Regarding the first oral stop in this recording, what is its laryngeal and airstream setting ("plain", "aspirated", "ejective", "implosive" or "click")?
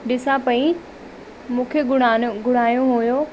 implosive